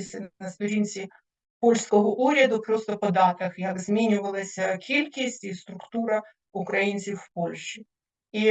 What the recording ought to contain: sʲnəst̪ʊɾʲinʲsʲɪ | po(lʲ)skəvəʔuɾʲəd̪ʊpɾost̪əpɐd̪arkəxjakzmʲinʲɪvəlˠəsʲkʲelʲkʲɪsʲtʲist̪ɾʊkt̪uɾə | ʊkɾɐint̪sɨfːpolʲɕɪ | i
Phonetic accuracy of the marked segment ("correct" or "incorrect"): correct